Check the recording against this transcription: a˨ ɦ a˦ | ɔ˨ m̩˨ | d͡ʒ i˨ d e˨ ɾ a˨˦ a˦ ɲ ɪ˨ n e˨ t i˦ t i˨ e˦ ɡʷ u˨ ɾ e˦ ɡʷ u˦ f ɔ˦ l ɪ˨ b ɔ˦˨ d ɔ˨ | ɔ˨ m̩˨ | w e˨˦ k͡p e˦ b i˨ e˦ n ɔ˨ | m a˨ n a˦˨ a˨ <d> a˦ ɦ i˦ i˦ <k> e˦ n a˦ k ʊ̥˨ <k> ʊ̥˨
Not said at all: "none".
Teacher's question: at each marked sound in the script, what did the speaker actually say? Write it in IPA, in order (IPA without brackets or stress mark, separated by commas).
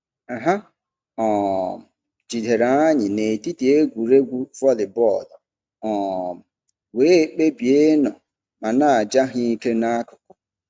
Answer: d͡ʒ, k, k